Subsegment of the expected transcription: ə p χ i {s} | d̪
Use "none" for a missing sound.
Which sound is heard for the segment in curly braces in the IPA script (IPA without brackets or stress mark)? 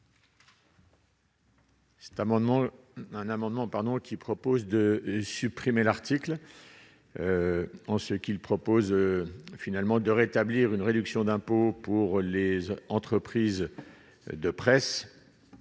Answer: z